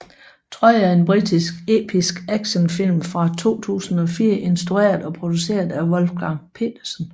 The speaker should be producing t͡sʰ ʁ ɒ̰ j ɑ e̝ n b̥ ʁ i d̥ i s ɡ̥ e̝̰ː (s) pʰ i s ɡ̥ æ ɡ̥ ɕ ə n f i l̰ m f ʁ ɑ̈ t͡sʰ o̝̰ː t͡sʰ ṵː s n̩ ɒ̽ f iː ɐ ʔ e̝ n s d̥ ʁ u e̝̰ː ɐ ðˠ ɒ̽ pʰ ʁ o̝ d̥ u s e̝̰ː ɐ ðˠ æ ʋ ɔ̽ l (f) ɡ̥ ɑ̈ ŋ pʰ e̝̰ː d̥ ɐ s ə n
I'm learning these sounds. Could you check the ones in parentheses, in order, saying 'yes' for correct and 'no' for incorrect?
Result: no, yes

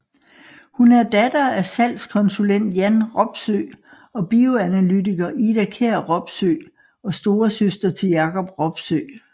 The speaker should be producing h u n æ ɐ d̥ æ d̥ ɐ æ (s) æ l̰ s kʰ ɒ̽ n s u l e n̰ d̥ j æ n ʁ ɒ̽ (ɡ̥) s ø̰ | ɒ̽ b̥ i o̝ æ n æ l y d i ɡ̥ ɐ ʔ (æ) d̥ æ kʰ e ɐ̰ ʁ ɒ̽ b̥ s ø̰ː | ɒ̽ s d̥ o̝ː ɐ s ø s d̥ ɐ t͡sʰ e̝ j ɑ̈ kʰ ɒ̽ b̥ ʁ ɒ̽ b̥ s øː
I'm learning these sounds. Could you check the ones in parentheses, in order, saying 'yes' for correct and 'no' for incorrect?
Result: yes, no, no

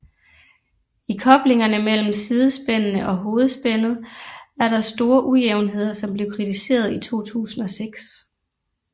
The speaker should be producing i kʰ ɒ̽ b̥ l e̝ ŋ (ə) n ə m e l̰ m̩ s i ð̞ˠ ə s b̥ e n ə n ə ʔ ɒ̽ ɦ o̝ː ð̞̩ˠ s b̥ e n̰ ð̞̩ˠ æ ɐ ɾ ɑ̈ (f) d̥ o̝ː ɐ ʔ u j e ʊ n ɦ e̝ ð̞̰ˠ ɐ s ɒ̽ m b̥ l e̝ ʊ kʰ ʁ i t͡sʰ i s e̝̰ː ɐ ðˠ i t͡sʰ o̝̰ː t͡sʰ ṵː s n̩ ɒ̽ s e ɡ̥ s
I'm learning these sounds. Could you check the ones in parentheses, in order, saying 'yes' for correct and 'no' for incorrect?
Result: no, no

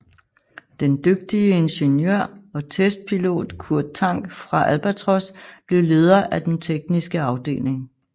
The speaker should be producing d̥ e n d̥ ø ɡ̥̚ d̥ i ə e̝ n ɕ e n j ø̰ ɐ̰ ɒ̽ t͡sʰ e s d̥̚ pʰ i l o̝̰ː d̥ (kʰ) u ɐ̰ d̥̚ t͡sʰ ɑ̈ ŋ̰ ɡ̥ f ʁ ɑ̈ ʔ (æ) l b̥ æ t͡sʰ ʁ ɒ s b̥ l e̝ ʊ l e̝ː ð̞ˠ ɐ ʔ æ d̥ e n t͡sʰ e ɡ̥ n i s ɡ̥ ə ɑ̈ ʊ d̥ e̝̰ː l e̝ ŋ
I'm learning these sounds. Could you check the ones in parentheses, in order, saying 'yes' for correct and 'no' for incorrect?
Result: yes, yes

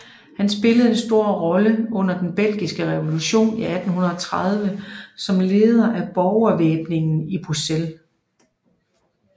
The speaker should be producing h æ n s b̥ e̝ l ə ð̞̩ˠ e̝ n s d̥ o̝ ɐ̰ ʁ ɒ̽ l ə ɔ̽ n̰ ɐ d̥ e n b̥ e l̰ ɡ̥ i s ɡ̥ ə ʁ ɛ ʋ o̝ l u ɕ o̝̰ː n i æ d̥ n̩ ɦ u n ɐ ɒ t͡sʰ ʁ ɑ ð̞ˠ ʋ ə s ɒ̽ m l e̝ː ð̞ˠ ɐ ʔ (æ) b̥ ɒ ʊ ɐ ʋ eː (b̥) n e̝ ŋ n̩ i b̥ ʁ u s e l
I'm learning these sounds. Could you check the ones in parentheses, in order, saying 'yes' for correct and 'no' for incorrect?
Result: yes, yes

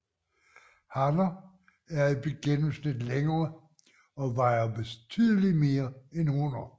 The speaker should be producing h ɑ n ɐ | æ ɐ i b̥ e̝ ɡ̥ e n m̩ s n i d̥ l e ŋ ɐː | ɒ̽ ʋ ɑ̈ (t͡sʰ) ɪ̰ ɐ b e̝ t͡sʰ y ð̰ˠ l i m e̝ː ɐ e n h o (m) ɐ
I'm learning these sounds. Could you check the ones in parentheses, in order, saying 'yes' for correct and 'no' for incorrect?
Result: no, no

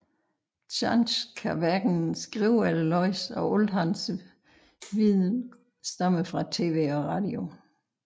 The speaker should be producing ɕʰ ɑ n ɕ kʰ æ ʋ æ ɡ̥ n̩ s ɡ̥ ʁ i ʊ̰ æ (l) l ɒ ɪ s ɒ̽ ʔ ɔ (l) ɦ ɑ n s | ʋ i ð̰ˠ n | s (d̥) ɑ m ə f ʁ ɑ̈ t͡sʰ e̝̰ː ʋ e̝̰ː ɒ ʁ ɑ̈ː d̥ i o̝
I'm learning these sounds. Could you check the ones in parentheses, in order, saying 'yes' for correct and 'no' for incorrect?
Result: yes, yes, yes

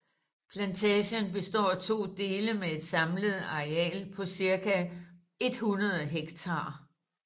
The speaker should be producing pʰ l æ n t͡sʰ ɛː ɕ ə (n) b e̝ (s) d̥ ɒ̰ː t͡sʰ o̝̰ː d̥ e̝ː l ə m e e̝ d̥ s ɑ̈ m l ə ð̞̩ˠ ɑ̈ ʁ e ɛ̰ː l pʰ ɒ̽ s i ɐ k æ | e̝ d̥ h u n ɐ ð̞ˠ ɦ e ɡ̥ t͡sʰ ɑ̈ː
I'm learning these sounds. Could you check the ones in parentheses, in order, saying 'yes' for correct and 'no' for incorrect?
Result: yes, yes

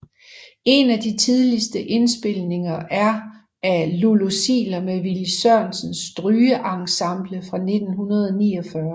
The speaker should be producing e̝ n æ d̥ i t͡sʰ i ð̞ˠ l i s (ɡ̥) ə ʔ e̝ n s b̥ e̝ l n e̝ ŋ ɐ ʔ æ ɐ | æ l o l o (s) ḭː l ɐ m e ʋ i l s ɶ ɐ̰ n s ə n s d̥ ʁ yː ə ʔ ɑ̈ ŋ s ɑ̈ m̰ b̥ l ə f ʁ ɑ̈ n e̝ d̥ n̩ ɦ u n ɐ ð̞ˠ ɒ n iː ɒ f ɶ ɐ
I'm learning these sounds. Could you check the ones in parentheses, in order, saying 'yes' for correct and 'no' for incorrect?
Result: no, yes

